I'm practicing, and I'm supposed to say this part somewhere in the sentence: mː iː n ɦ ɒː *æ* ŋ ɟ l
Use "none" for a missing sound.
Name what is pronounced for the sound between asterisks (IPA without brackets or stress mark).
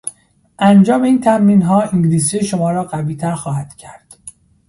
i